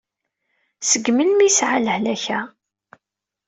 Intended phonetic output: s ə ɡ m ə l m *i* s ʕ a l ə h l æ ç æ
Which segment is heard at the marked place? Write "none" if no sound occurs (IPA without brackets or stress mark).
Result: i